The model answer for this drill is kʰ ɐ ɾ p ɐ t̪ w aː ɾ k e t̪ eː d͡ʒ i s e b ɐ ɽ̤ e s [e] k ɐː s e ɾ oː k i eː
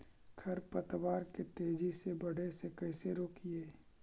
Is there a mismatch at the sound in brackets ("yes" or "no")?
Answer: no